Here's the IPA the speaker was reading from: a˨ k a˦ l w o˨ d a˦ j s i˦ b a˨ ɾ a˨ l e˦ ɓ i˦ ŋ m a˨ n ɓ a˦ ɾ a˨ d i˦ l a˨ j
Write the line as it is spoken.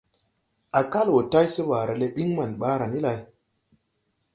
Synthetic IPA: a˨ k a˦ l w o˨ t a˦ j s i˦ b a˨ ɾ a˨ l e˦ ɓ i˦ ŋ m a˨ n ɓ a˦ ɾ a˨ n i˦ l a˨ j